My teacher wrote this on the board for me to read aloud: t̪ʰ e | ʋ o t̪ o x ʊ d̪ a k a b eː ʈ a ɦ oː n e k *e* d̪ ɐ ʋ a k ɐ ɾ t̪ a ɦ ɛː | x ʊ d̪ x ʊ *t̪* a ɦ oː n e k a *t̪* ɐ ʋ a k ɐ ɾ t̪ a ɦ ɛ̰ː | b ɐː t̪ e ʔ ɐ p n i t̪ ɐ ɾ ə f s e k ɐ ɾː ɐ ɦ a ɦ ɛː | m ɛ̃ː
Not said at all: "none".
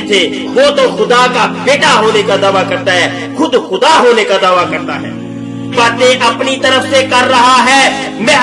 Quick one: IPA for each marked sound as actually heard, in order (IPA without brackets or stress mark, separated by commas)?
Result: a, d̪, d̪